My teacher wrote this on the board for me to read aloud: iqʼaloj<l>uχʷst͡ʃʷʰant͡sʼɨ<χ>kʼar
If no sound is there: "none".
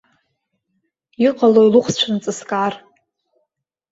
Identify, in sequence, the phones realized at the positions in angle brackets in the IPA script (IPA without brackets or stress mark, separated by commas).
l, s